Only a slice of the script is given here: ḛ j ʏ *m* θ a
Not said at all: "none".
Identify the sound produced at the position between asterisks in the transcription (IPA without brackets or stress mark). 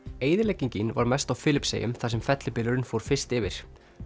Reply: m